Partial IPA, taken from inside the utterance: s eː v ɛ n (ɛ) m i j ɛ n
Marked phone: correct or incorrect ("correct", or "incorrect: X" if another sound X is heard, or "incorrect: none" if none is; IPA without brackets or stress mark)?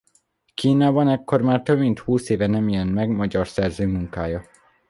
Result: correct